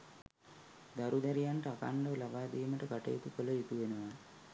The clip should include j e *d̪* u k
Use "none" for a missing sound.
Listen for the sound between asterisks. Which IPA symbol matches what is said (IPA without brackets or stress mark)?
t̪